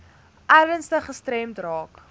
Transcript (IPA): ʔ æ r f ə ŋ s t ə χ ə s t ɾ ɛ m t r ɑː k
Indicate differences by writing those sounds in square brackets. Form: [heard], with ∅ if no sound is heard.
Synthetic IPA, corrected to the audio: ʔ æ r [v] ə [n] s t ə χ ə s t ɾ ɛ m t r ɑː k